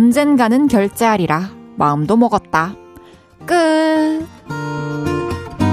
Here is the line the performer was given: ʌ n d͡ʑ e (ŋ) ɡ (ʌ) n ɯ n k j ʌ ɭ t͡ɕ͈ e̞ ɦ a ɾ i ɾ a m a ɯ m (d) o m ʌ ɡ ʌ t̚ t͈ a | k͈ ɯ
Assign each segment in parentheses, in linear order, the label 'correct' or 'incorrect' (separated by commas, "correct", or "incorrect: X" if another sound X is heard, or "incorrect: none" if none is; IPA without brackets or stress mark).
incorrect: n, incorrect: a, correct